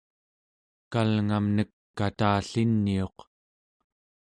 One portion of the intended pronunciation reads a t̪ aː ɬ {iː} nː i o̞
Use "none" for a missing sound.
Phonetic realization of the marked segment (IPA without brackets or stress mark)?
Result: i